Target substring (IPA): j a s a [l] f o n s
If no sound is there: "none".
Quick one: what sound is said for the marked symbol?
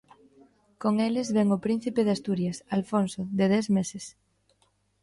l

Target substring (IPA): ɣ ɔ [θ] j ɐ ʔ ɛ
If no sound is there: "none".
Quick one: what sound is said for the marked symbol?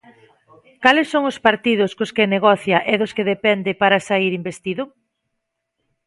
θ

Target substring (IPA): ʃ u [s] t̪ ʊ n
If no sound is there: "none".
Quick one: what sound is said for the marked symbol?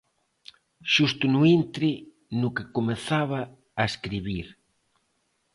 s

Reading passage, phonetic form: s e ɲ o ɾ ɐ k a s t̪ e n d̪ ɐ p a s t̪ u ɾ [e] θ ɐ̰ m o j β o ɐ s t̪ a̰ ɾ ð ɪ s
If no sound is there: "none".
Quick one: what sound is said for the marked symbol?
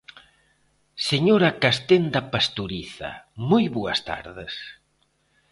i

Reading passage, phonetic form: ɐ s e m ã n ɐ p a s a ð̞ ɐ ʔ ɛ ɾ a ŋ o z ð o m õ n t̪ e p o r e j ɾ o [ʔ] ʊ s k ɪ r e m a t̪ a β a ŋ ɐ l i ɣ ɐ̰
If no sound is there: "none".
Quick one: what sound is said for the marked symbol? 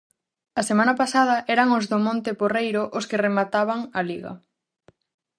ʔ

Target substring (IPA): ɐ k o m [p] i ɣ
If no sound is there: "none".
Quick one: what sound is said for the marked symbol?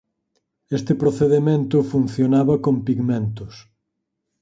p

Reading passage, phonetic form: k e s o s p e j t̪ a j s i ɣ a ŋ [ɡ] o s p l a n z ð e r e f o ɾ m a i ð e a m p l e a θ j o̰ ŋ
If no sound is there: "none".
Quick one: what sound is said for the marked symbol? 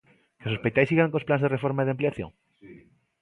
k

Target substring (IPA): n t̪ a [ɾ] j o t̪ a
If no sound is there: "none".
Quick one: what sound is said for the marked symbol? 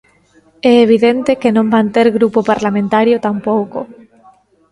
ɾ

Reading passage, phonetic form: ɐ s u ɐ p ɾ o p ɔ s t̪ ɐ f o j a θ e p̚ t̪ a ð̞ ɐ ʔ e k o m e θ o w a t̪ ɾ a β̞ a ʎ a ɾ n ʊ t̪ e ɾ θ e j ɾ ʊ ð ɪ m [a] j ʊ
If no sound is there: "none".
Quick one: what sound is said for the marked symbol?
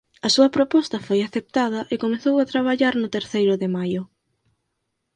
a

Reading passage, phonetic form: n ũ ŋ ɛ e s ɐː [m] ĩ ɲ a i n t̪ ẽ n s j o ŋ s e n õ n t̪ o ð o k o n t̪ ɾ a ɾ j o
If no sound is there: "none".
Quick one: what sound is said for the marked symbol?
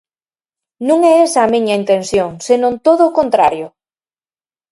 m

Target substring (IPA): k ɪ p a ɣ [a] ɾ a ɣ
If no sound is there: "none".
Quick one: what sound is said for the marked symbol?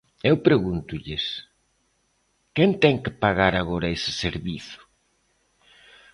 a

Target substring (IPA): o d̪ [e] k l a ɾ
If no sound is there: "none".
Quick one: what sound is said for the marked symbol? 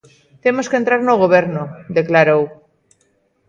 e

